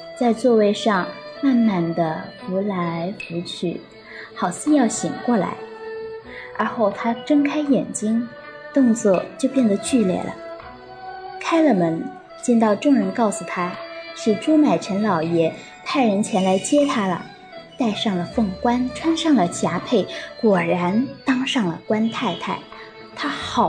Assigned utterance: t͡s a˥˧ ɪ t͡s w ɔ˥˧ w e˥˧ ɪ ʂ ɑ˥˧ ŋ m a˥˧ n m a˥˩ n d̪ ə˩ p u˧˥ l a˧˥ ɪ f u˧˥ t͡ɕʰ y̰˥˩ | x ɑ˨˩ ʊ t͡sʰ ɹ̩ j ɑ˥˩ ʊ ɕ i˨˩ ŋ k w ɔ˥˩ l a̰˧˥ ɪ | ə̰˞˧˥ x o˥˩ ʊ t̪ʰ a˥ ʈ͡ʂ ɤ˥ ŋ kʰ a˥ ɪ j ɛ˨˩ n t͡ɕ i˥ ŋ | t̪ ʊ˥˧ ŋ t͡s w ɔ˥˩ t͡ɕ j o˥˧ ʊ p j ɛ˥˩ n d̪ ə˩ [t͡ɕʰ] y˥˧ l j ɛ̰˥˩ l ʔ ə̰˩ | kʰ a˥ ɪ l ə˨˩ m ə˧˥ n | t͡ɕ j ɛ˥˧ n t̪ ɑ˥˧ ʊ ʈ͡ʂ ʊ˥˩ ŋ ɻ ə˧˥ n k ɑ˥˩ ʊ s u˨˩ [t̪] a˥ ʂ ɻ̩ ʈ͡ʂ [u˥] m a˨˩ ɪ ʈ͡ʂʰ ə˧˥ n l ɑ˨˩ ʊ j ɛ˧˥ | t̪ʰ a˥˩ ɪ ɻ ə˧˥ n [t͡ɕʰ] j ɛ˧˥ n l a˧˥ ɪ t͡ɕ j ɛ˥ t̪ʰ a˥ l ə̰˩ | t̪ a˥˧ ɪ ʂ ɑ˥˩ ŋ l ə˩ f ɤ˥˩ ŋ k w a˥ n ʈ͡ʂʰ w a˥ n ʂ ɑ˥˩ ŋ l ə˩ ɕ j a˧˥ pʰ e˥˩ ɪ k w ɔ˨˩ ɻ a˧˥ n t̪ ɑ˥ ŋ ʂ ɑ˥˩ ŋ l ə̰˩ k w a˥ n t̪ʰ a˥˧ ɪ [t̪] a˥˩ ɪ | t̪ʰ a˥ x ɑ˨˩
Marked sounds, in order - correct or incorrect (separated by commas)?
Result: incorrect, incorrect, correct, correct, incorrect